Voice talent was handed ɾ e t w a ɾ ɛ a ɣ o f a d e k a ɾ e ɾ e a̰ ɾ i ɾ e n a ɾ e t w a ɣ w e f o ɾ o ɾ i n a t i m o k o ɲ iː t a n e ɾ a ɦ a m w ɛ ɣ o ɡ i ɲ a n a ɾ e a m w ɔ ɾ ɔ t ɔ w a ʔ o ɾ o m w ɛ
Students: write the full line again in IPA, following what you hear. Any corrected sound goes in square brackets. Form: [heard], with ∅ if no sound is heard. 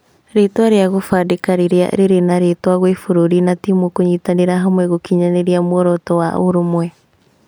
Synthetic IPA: ɾ e t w a ɾ [e] a ɣ o f a d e k a ɾ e ɾ e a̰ ɾ [e] ɾ e n a ɾ e t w a ɣ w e f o ɾ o ɾ i n a t i m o k o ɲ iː t a n e ɾ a ɦ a m w ɛ ɣ o [k] i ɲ a n [e] ɾ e a m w ɔ ɾ ɔ t ɔ w a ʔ o ɾ o m w ɛ